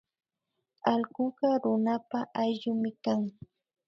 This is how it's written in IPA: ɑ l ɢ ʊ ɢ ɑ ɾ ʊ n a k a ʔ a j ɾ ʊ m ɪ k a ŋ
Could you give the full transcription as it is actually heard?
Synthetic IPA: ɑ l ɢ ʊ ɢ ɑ ɾ ʊ n a p a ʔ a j ʎ ʊ m ɪ k a ŋ